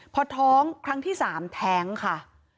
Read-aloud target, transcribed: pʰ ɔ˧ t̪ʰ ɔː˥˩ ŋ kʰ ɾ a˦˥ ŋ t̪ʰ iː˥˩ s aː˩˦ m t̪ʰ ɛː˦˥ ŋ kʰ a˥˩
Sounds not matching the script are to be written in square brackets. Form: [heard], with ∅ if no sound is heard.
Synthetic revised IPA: pʰ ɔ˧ t̪ʰ [ɔː˦˥] ŋ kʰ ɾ a˦˥ ŋ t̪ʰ iː˥˩ s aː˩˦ m t̪ʰ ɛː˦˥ ŋ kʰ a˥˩

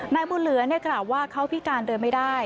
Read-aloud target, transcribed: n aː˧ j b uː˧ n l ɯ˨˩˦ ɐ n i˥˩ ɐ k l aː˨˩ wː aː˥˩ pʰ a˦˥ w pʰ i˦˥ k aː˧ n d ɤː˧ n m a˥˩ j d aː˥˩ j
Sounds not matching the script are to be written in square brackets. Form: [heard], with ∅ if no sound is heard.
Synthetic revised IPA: n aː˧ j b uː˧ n l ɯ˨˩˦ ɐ n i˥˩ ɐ k l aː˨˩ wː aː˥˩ [kʰ] a˦˥ w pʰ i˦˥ k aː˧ n d ɤː˧ n m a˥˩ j d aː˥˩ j

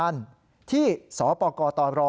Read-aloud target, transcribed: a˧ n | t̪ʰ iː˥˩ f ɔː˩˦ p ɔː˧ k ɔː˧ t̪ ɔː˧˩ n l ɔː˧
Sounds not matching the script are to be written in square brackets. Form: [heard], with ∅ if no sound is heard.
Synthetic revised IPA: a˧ n | t̪ʰ iː˥˩ [s] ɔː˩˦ p ɔː˧ k ɔː˧ t̪ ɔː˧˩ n [ɾ] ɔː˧

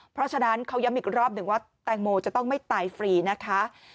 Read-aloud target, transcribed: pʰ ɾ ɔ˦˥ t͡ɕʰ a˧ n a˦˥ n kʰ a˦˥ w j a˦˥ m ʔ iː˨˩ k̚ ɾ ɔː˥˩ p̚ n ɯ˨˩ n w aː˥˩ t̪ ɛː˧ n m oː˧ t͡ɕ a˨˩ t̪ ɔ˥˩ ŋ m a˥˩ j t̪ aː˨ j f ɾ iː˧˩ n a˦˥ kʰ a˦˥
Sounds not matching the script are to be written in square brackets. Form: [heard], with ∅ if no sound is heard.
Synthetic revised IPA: pʰ ɾ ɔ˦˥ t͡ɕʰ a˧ n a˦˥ n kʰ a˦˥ w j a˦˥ m ʔ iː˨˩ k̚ ɾ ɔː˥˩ p̚ n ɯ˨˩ [ŋ] w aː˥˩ t̪ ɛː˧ [ŋ] m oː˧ t͡ɕ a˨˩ t̪ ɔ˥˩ ŋ m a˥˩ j t̪ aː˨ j f ɾ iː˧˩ n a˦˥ kʰ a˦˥

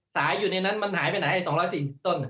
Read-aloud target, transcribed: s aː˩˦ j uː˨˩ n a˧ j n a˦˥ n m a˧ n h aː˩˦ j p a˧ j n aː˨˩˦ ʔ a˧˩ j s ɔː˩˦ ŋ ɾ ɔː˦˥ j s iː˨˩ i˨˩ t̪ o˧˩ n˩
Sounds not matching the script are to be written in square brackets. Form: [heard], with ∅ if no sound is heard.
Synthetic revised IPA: s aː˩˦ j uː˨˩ n a˧ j n a˦˥ n m a˧ n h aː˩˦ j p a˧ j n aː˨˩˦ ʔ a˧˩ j s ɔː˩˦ ŋ ɾ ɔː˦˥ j s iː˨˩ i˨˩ t̪ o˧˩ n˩

